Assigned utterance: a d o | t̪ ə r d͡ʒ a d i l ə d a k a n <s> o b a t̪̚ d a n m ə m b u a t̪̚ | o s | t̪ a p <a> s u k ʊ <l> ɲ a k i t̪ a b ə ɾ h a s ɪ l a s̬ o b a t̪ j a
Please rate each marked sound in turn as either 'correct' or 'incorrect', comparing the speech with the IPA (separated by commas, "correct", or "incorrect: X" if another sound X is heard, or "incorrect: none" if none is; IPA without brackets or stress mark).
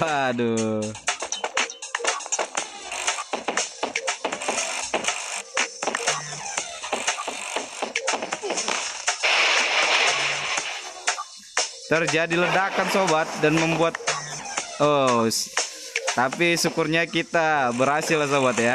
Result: correct, incorrect: i, incorrect: r